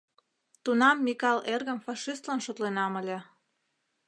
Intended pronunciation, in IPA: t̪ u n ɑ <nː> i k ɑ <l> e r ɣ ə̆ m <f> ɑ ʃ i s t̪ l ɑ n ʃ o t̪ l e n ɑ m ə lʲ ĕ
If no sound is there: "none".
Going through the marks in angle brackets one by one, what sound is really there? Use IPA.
mː, l, f

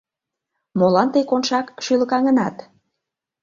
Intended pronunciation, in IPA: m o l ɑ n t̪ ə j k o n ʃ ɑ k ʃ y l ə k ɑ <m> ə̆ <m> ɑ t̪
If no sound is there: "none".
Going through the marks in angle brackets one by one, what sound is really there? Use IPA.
ŋ, n

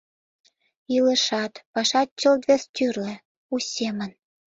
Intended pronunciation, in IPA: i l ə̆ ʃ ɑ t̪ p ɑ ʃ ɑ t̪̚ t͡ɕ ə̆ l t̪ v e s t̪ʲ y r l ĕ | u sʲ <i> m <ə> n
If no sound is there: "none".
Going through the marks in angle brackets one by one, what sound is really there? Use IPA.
e, ə

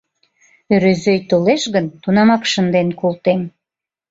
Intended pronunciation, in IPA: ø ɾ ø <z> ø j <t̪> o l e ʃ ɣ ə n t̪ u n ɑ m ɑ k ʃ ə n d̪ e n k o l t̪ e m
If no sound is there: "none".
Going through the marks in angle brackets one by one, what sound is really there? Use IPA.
z, t̪

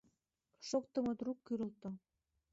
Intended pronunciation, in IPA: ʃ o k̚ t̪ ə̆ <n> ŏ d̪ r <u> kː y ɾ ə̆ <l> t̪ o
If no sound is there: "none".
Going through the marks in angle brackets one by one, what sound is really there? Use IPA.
m, u, l

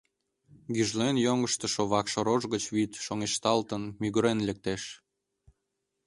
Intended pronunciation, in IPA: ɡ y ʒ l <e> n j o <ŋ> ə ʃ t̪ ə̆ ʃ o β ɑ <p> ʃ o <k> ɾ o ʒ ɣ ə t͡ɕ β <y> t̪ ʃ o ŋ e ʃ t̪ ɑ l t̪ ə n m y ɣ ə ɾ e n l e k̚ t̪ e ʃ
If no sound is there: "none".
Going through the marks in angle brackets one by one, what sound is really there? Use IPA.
e, ŋ, k, none, i

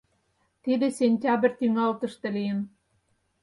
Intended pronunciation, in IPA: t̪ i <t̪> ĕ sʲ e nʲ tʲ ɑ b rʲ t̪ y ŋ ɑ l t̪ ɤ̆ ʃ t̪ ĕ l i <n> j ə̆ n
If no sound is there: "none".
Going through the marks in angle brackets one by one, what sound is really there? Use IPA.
d̪, none

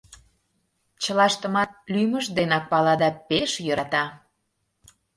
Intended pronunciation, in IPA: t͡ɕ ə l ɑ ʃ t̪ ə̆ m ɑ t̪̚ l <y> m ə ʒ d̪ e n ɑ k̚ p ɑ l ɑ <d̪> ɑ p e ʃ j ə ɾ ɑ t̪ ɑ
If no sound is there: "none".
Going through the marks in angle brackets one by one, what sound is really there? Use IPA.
y, d̪

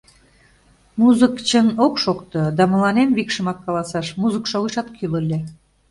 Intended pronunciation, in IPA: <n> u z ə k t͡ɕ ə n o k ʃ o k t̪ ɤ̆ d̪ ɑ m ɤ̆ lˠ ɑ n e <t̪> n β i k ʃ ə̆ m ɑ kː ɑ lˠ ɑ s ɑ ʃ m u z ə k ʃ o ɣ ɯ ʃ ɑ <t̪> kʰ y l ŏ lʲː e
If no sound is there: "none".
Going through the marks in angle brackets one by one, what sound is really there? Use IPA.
m, none, t̪

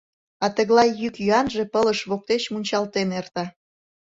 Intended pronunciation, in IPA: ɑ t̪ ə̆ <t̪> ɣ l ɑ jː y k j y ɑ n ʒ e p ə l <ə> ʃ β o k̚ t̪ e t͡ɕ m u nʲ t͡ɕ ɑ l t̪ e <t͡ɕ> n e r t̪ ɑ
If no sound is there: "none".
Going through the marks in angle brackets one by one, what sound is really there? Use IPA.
none, ə, none

